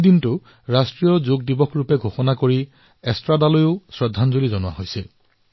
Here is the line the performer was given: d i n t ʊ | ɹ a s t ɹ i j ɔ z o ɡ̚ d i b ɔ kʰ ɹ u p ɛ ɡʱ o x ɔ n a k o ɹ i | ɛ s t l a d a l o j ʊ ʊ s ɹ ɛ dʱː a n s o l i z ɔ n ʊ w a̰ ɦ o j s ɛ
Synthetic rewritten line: d i n t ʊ | ɹ a s t ɹ i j ɔ z o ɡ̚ d i b ɔ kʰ ɹ u p ɛ ɡʱ o x ɔ n a k o ɹ i | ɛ s t ɹ a d a l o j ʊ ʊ s ɹ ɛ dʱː a n z o l i z ɔ n ʊ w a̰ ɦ o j s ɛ

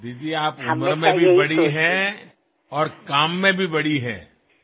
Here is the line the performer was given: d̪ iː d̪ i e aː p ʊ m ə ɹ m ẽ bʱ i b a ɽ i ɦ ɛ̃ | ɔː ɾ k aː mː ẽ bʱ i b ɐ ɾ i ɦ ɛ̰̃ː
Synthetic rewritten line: d̪ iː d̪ i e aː p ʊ m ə ɾ m ẽ bʱ i b ɐ ɽ i ɦ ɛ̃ | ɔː ɾ k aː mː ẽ bʱ i b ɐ ɽ i ɦ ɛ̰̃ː

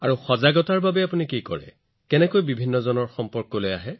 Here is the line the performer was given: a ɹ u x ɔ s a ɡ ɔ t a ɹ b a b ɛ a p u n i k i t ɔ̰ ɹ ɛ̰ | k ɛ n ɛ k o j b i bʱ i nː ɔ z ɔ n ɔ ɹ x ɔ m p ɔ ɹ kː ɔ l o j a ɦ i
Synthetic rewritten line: a ɹ u x ɔ z a ɡ ɔ t a ɹ b a b ɛ a p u n i k i k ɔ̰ ɹ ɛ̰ | k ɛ n ɛ k o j b i bʱ i nː ɔ z ɔ n ɔ ɹ x ɔ m p ɔ ɹ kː ɔ l o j a ɦ ɛ

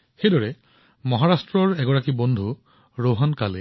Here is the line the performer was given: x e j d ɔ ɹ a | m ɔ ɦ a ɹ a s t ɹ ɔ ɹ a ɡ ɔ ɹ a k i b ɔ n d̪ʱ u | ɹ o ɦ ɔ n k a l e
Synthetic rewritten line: x e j d ɔ ɹ ɛ | m ɔ ɦ a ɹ a s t ɹ ɔ ɹ ɛ ɡ ɔ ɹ a k i b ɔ n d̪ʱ u | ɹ o ɦ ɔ n k a l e

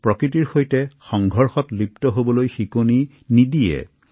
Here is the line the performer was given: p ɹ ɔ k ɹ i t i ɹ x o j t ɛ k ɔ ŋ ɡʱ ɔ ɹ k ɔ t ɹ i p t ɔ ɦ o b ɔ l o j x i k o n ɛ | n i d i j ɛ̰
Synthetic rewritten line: p ɹ ɔ k ɹ i t i ɹ x o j t ɛ x ɔ ŋ ɡʱ ɔ ɹ x ɔ t l i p t ɔ ɦ o b ɔ l o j x i k o n i | n i d i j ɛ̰

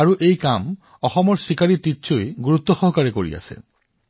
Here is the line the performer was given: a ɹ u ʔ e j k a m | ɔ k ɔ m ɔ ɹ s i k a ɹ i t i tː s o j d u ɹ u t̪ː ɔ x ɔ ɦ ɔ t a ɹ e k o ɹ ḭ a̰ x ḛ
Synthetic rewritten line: a ɹ u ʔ e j k a m | ɔ x ɔ m ɔ ɹ s i k a ɹ i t i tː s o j ɡ u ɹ u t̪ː ɔ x ɔ ɦ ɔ k a ɹ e k o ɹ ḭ a̰ s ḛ

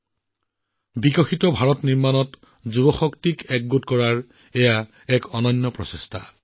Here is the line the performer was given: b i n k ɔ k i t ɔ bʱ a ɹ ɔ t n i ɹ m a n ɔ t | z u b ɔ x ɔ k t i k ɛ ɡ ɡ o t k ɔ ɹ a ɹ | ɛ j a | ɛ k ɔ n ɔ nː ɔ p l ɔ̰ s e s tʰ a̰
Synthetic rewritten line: b i k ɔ x i t ɔ bʱ a ɹ ɔ t n i ɹ m a n ɔ t | z u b ɔ x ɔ k t i k ɛ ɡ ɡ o t k ɔ ɹ a ɹ | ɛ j a | ɛ k ɔ n ɔ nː ɔ p ɹ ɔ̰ s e s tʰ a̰

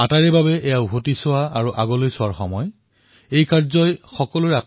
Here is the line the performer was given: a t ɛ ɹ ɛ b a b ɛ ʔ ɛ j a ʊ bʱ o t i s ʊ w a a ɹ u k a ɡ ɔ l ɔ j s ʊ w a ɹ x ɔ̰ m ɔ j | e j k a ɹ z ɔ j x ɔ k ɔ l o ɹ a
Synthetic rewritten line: a t a ɹ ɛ b a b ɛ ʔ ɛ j a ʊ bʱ o t i s ʊ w a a ɹ u ʔ a ɡ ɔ l o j s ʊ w a ɹ x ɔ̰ m ɔ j | e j k a ɹ z ɔ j x ɔ k ɔ l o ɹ a

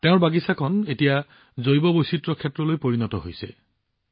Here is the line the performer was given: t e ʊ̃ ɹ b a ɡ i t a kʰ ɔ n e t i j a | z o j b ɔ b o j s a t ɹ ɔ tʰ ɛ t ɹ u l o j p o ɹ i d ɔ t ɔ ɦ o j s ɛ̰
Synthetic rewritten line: t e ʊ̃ ɹ b a ɡ i s a kʰ ɔ n e t i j a | z o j b ɔ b o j s i t ɹ ɔ kʰ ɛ t ɹ ɔ l o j p o ɹ i n ɔ t ɔ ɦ o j s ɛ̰

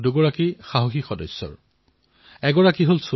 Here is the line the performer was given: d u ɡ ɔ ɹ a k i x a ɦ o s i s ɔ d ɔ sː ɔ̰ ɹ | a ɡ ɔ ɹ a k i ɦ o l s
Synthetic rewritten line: d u ɡ ɔ ɹ a k i x a ɦ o x i x ɔ d ɔ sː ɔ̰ ɹ | ɛ ɡ ɔ ɹ a k i ɦ o l s

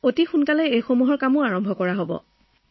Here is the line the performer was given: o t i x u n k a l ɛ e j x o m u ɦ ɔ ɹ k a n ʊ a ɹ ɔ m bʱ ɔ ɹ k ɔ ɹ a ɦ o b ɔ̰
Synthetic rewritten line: o t i x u n k a l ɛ e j x o m u ɦ ɔ ɹ k a m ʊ a ɹ ɔ m bʱ ɔ k ɔ ɹ a ɦ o b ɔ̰

